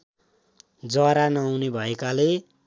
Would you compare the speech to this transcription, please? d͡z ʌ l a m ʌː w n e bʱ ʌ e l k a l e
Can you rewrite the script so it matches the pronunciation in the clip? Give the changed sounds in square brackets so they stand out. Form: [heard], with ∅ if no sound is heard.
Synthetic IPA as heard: d͡z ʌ [ɾ] a [n] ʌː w n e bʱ ʌ e [∅] k a l e